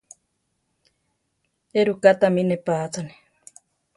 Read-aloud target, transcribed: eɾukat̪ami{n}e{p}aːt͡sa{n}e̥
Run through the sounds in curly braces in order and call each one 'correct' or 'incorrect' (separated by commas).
correct, correct, correct